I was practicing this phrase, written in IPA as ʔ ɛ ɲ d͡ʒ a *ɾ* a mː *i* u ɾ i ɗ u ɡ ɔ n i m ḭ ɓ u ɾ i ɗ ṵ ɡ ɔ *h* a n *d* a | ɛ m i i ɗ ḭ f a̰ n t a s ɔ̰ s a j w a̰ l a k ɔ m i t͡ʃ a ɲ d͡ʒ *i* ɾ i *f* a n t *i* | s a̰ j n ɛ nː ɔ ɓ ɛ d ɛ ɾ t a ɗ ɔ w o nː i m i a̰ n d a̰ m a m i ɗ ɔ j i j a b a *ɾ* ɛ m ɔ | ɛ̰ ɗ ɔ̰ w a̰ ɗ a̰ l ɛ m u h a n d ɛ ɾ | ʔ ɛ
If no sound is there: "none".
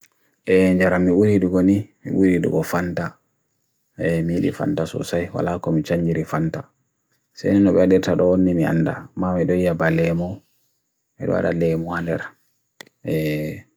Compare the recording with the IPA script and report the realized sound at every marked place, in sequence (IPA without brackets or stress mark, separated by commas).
ɾ, i, f, t, i, f, a, l